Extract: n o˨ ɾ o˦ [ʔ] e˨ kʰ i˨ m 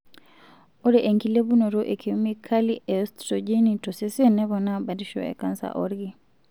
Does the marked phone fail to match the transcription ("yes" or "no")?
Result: no